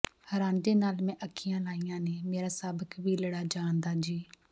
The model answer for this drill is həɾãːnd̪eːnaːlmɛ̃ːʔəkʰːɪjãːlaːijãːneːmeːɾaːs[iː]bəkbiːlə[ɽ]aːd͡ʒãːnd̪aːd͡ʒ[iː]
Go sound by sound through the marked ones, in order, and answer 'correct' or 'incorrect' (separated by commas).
incorrect, correct, correct